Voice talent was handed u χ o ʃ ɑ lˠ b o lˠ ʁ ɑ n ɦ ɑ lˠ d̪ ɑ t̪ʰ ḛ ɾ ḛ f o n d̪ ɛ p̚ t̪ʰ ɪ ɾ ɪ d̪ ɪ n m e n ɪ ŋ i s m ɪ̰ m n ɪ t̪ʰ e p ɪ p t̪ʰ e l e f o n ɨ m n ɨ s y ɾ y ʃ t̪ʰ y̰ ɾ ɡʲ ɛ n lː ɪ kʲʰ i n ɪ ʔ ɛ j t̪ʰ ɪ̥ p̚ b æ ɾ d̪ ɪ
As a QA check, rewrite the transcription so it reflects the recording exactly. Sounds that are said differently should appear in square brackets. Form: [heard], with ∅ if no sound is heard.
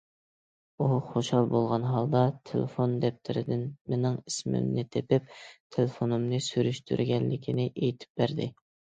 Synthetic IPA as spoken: u χ o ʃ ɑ lˠ b o lˠ ʁ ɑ n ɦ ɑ lˠ d̪ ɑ t̪ʰ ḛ [l] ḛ f o n d̪ ɛ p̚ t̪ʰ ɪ ɾ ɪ d̪ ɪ n m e n ɪ ŋ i s m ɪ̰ m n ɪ t̪ʰ e p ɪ p t̪ʰ e l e f o n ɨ m n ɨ s y ɾ y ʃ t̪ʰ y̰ ɾ ɡʲ ɛ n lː ɪ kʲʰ i n ɪ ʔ [e] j t̪ʰ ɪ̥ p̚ b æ ɾ d̪ ɪ